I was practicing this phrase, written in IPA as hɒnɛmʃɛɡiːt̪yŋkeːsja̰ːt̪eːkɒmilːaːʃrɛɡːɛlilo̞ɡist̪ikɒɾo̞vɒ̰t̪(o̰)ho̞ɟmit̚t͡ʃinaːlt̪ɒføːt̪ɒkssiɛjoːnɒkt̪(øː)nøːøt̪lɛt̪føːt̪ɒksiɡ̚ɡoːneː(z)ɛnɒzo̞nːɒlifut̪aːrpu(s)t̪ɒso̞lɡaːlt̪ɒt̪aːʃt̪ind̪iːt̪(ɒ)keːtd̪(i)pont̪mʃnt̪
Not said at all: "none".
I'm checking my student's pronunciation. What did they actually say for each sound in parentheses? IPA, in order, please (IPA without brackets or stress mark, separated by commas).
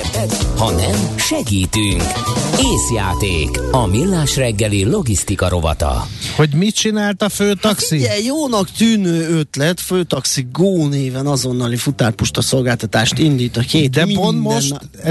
ɒ̰, yː, v, ʃ, ɒ, ɛ